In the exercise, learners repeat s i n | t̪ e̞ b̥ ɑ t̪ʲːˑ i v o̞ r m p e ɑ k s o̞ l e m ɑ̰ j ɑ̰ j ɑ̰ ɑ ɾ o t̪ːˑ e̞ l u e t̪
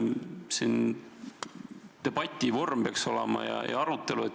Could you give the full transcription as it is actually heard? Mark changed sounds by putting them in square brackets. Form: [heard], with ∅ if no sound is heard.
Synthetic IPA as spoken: s i n | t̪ e̞ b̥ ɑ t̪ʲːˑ i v o̞ r m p e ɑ k s o̞ l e m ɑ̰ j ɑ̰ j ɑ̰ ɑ ɾ [u] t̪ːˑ e̞ l u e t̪